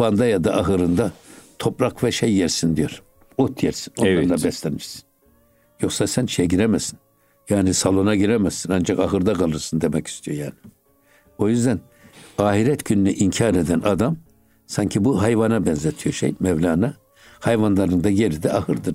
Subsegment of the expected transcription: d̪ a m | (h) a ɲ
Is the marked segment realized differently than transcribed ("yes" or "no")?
yes